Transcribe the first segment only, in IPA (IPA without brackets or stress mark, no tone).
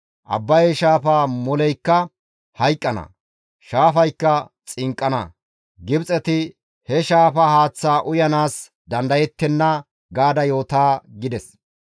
ʔ